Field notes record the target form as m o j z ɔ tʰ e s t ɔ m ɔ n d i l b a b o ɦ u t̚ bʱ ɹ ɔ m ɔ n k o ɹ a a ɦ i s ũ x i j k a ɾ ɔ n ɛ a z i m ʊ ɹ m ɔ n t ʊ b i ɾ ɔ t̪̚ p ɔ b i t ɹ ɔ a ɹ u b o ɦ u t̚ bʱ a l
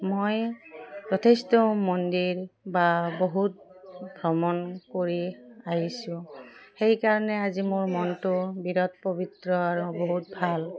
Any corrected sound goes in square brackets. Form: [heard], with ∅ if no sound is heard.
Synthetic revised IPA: m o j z ɔ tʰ e s t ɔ m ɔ n d i [ɹ] b a b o ɦ u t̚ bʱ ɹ ɔ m ɔ n k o ɹ [i] a ɦ i s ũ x [e] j k a [ɹ] ɔ n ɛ a z i m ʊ ɹ m ɔ n t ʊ b i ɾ ɔ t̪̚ p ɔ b i t ɹ ɔ a ɹ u b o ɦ u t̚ bʱ a l